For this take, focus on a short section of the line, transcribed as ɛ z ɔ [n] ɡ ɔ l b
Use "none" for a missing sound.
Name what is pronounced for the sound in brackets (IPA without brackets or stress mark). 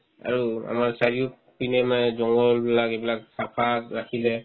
ŋ